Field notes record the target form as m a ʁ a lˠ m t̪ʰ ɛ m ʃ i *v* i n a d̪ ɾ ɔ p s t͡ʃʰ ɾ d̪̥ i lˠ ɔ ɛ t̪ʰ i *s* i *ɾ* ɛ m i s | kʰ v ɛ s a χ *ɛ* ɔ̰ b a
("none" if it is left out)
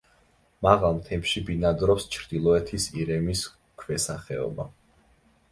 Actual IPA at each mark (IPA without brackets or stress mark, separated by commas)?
b, s, ɾ, ɛ